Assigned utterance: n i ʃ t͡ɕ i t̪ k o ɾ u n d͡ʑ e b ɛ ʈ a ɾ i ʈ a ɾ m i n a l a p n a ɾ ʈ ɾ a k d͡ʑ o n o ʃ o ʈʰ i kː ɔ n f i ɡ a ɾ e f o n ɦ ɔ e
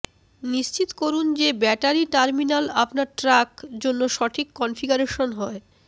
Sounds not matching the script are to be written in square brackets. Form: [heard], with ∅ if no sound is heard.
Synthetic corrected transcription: n i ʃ t͡ɕ i t̪ k o ɾ u n d͡ʑ e b ɛ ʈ a ɾ i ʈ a ɾ m i n a l a p n a ɾ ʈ ɾ a k d͡ʑ o [nː] o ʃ [ɔ] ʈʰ i kː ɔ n f i ɡ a ɾ e [ʃ] o n ɦ ɔ e